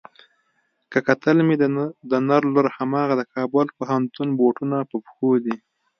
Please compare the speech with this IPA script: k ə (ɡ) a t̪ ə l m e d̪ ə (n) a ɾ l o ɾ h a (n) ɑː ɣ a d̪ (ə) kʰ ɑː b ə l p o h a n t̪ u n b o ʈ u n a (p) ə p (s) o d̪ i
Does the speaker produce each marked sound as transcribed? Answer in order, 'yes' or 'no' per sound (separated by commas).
no, yes, no, yes, yes, no